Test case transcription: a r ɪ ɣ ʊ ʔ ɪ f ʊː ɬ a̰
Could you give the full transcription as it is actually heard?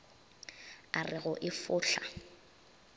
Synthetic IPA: a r ɪ ɣ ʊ ʔ ɪ f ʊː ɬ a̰